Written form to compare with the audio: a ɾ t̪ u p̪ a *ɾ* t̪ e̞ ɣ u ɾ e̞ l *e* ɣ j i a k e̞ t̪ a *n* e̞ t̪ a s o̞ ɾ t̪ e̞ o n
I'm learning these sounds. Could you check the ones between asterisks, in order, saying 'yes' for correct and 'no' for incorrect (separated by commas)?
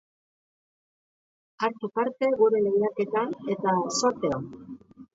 yes, yes, yes